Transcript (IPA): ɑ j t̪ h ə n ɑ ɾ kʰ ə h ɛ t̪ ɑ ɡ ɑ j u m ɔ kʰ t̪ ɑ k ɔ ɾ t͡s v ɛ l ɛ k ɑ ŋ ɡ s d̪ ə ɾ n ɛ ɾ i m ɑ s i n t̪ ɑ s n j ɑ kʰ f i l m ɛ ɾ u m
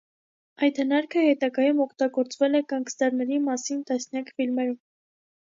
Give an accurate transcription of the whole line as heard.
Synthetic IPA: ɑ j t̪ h ə n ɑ ɾ kʰ ə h ɛ t̪ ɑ ɡ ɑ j u m ɔ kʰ t̪ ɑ ɡ ɔ ɾ t͡s v ɛ l ɛ k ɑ ŋ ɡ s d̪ ɑ ɾ n ɛ ɾ i m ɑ s i n t̪ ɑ s n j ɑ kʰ f i l m ɛ ɾ u m